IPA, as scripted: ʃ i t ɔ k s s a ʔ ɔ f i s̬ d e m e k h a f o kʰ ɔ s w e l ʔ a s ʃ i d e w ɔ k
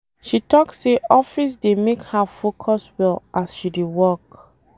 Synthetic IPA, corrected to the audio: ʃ i t ɔ k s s e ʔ ɔ f i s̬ d e m e k h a f o kʰ ɔ s w ɛ l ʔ a s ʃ i d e w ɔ k